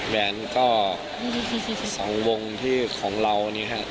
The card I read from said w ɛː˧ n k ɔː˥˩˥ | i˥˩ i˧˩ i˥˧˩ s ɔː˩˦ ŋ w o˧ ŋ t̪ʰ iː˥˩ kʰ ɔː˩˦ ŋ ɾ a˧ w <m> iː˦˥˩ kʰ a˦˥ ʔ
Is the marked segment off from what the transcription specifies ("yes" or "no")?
yes